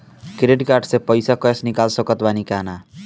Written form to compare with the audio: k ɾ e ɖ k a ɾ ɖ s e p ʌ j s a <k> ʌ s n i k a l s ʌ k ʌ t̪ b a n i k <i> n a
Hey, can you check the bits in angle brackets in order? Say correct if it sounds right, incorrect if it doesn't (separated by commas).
correct, incorrect